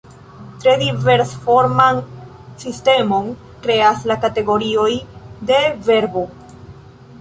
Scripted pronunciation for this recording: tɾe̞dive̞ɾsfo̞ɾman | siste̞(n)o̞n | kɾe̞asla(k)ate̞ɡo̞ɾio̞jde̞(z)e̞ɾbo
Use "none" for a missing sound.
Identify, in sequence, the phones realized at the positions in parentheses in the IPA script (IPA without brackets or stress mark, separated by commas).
m, k, v